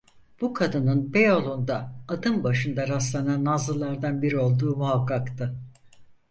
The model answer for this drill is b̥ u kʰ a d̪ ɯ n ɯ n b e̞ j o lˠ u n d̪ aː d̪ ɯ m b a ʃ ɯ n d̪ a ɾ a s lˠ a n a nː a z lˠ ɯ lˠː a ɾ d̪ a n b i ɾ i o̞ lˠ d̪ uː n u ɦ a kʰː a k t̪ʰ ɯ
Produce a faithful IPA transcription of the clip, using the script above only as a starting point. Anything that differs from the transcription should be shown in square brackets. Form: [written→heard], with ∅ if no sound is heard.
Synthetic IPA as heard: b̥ u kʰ a d̪ ɯ n ɯ n b e̞ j o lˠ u n d̪ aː d̪ ɯ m b a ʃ ɯ n d̪ a ɾ a s lˠ a n a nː a z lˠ ɯ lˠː a ɾ d̪ a n b i ɾ i o̞ lˠ d̪ uː [n→m] u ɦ a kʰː a k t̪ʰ ɯ

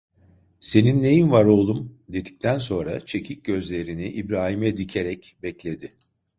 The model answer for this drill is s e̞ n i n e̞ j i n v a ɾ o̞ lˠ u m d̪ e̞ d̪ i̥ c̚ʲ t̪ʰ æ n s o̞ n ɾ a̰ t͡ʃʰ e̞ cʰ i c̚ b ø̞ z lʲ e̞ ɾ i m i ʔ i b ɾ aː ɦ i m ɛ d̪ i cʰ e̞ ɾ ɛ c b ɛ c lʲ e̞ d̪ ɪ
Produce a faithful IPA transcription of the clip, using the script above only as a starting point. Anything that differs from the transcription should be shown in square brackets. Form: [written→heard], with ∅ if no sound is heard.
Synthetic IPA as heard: s e̞ n i [n→nː] e̞ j i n v a ɾ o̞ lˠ u m d̪ e̞ d̪ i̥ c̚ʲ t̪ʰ æ n s o̞ n ɾ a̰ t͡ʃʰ e̞ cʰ i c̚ [b→ɟ] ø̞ z lʲ e̞ ɾ i [m→n] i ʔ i b ɾ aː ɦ i m ɛ d̪ i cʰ e̞ ɾ ɛ c b ɛ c lʲ e̞ d̪ ɪ

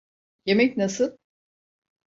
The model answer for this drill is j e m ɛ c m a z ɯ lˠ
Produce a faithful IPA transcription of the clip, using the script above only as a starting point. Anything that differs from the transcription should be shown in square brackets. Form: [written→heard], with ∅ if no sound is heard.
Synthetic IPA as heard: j e m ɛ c [m→n] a [z→s] ɯ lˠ

